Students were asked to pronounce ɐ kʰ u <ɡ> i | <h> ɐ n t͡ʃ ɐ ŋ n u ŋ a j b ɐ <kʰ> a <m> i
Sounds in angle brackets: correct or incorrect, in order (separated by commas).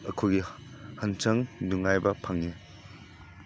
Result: correct, correct, incorrect, incorrect